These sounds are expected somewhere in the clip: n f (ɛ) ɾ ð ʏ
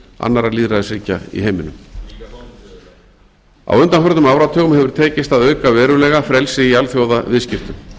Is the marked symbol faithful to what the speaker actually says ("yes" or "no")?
no